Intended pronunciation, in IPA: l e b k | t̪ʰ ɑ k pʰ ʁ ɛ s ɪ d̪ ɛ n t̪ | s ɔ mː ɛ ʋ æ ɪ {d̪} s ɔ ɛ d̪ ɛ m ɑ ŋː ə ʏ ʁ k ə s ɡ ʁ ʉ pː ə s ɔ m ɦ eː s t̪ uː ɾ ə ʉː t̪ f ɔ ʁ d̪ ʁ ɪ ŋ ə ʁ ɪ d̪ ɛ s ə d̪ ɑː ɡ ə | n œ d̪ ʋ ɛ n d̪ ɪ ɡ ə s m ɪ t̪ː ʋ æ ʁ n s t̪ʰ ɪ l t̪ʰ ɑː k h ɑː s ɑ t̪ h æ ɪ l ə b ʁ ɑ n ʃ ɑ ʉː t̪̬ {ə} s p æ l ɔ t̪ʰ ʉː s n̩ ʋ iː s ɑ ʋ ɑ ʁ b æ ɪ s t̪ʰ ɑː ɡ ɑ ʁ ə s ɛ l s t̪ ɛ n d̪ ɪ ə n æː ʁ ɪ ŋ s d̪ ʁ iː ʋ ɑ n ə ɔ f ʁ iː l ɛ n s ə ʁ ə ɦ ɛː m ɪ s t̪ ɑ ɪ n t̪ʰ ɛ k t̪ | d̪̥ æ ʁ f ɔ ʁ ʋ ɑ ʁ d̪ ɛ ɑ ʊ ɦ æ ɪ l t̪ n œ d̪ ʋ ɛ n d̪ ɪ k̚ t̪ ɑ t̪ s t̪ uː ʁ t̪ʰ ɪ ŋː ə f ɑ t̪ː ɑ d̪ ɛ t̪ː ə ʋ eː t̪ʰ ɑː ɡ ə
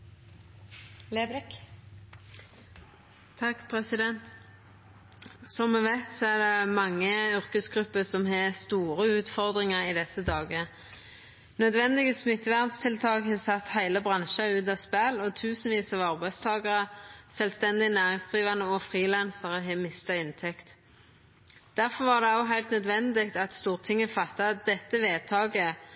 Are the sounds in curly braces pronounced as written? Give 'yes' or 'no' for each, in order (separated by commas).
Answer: no, no